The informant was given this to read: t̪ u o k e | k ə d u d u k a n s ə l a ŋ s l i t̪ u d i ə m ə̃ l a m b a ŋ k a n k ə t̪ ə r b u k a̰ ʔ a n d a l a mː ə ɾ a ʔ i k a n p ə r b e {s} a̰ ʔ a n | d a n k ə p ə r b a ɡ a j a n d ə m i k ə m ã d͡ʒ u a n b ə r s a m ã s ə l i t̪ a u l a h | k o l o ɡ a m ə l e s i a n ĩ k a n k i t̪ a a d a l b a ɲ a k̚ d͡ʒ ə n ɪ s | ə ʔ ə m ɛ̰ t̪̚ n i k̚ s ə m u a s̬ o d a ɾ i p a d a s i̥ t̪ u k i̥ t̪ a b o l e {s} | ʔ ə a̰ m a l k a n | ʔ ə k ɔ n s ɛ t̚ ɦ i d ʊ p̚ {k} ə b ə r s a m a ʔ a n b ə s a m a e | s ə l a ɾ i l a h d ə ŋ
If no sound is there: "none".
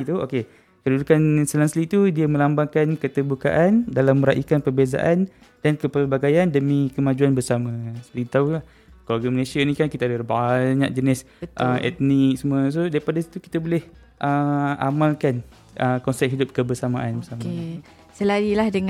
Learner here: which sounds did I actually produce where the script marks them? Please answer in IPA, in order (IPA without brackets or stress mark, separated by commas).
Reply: z, h, k